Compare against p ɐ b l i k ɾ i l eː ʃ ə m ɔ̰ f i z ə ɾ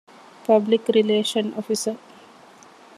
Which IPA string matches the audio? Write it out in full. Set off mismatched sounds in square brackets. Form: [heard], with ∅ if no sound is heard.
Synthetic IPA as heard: p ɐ b l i k ɾ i l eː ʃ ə [n] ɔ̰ f i [s] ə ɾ